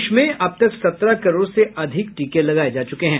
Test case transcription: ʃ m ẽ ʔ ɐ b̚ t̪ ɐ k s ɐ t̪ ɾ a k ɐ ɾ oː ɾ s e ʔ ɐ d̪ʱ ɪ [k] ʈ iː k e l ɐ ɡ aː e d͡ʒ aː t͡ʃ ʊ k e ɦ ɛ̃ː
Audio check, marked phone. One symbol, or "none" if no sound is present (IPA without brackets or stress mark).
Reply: k